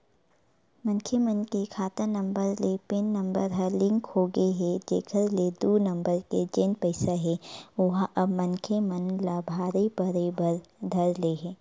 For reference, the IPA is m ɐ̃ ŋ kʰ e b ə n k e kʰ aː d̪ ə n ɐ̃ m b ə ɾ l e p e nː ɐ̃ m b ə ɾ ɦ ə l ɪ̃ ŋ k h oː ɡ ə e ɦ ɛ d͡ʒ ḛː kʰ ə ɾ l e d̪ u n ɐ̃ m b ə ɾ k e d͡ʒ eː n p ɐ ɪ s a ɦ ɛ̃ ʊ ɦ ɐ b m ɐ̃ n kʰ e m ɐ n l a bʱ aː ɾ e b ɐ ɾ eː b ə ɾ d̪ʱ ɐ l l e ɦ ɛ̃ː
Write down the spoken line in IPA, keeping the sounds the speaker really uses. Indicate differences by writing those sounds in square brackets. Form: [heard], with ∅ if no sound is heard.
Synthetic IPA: m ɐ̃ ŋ kʰ e [m] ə n k e kʰ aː [t̪] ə n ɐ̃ m b ə ɾ l e p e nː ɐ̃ m b ə ɾ ɦ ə l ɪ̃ ŋ k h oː ɡ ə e ɦ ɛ d͡ʒ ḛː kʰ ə ɾ l e d̪ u n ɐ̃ m b ə ɾ k e d͡ʒ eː n p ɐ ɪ s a ɦ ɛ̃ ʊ ɦ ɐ b m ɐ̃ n kʰ e m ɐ n l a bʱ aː ɾ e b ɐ ɾ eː b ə ɾ d̪ʱ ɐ [ɾ] l e ɦ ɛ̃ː

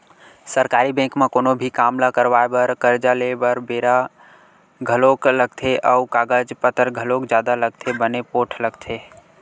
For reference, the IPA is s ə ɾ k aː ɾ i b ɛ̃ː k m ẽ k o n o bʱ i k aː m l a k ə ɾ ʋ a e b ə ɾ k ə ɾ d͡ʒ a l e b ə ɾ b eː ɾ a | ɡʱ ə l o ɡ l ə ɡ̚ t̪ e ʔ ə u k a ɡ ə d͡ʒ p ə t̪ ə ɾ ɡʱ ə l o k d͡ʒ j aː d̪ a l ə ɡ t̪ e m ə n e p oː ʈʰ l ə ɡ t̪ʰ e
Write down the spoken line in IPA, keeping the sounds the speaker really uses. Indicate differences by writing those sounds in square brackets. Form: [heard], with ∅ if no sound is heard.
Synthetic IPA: s ə ɾ k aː ɾ i b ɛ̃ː k m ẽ k o n o bʱ i k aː m l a k ə ɾ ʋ a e b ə ɾ k ə ɾ d͡ʒ a l e b ə ɾ b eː ɾ a | ɡʱ ə l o [k] l ə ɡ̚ [t̪ʰ] e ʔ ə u k a ɡ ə d͡ʒ p ə t̪ ə ɾ ɡʱ ə l o k d͡ʒ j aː d̪ a l ə ɡ [t̪ʰ] e [b] ə n e p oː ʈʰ l ə ɡ t̪ʰ e

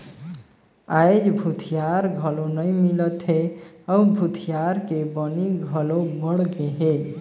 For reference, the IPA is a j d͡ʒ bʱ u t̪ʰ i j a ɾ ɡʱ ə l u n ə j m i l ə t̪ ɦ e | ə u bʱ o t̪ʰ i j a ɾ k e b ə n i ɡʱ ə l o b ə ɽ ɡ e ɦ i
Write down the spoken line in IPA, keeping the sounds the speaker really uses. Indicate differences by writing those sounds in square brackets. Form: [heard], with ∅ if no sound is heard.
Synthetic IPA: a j d͡ʒ bʱ u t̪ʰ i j a ɾ ɡʱ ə l [o] n ə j m i l ə t̪ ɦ e | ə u bʱ [u] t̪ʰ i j a ɾ k e b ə n i ɡʱ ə l o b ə ɽ ɡ e ɦ [e]

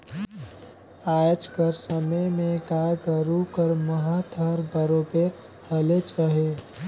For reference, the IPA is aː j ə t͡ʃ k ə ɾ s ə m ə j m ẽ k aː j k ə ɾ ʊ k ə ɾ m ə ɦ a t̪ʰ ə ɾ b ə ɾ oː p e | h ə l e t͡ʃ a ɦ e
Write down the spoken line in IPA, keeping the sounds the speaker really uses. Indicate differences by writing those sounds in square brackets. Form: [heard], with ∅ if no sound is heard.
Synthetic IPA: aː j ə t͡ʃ k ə ɾ s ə m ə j m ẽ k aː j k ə ɾ [u] k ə ɾ m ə ɦ a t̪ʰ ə ɾ b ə ɾ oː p e | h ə l e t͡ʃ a ɦ e

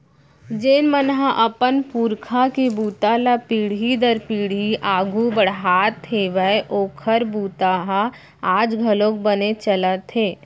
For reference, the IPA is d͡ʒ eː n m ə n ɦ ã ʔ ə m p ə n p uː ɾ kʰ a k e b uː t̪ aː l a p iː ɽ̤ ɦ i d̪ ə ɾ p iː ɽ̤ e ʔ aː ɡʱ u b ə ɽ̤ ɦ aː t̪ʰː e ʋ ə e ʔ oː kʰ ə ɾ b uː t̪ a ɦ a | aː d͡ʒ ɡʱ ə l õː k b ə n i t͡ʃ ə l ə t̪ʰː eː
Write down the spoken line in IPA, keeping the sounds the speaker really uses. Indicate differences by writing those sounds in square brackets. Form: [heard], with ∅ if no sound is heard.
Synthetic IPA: d͡ʒ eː n m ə n ɦ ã ʔ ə [∅] p ə n p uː ɾ kʰ a k e b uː t̪ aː l a p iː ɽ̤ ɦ i d̪ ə ɾ p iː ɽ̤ [i] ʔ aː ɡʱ u b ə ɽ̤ ɦ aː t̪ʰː e ʋ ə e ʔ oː kʰ ə ɾ b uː t̪ a ɦ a | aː d͡ʒ ɡʱ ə l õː k b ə n [e] t͡ʃ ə l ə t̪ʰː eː

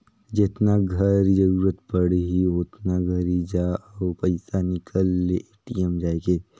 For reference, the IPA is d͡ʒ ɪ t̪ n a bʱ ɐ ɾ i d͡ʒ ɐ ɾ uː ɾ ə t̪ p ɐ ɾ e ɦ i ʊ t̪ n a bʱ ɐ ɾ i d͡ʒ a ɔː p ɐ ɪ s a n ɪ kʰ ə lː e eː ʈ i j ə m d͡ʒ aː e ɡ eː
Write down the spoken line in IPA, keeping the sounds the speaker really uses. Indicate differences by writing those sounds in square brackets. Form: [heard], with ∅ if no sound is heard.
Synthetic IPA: d͡ʒ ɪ t̪ n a [ɡʱ] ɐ ɾ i d͡ʒ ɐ ɾ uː ɾ ə t̪ p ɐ [ɽ] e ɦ i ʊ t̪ n a [ɡʱ] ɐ ɾ i d͡ʒ a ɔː p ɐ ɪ s a n ɪ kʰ ə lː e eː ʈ i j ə m d͡ʒ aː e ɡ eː

